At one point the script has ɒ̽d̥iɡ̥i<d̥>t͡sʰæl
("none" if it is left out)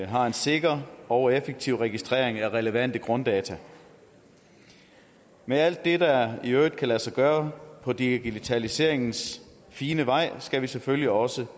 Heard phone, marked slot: none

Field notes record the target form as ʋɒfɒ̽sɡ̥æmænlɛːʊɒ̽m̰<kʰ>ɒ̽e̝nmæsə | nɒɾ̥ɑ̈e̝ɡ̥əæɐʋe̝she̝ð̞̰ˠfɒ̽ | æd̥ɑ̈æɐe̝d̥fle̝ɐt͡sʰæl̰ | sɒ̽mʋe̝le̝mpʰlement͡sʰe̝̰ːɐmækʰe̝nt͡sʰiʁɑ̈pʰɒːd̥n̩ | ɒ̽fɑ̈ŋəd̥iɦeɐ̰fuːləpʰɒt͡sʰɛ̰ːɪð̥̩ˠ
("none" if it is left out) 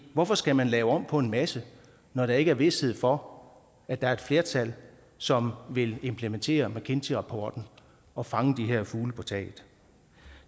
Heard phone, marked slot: pʰ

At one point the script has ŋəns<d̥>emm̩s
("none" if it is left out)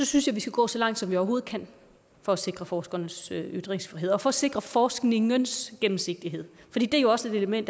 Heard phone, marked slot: ɡ̥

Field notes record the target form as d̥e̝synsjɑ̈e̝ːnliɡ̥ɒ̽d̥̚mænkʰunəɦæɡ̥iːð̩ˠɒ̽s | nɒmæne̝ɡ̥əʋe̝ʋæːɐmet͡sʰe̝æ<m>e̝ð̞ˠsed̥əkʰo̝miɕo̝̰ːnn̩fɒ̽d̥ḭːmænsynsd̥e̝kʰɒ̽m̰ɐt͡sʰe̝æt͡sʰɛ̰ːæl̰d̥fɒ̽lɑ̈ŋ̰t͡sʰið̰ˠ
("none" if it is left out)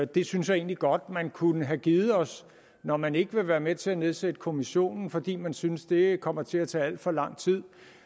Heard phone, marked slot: n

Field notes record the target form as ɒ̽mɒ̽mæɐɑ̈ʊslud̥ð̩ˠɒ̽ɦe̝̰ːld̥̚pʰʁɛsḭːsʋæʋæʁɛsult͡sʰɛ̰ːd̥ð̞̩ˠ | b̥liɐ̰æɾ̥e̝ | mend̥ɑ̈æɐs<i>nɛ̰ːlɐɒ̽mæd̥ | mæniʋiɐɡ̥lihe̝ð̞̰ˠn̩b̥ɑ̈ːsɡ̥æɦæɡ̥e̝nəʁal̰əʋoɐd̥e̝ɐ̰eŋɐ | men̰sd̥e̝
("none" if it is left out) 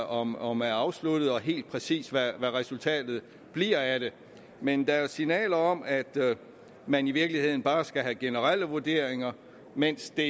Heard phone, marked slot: i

